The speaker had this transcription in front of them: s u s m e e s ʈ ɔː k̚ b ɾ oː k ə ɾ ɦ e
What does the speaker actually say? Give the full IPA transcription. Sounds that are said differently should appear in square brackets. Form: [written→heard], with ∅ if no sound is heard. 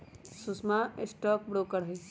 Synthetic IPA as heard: s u s m [e→a] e s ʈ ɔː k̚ b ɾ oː k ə ɾ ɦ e